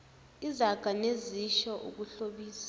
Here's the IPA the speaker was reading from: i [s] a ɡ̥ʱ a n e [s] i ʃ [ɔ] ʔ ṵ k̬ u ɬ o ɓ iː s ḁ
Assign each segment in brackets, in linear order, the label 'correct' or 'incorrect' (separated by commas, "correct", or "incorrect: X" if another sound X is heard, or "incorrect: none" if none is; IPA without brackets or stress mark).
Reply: incorrect: z, incorrect: z, correct